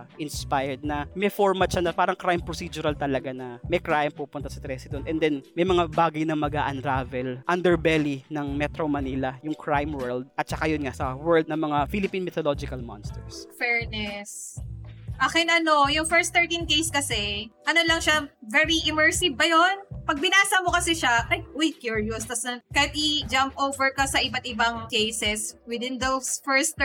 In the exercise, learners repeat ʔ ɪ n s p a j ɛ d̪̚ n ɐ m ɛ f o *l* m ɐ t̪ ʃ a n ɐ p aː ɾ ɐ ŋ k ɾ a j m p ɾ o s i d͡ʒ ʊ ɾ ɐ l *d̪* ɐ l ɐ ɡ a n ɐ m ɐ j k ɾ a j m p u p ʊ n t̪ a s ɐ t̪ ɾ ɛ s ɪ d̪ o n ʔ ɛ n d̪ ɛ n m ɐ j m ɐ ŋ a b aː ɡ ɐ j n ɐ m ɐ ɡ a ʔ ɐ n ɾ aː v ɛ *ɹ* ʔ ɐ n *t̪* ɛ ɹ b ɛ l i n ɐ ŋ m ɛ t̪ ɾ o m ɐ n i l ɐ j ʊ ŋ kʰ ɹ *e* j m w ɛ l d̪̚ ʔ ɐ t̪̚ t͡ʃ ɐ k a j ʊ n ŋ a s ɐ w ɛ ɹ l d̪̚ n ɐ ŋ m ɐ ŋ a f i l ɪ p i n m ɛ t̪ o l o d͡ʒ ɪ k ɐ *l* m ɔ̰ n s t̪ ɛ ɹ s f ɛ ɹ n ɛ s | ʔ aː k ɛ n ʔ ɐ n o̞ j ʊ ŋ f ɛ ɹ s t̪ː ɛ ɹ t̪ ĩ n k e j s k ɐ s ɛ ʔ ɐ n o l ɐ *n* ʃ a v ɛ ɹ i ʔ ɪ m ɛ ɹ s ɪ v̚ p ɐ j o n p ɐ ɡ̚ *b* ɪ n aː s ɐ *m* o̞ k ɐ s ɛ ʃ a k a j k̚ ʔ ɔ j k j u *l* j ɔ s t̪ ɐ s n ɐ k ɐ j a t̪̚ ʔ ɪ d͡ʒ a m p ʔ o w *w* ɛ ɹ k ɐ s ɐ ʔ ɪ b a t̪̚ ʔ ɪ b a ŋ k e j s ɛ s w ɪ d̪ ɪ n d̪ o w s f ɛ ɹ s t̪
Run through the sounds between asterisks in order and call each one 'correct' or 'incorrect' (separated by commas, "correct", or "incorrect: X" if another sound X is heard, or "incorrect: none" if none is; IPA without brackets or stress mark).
incorrect: ɹ, incorrect: t̪, incorrect: l, incorrect: d̪, incorrect: a, correct, incorrect: ŋ, correct, correct, incorrect: ɹ, incorrect: v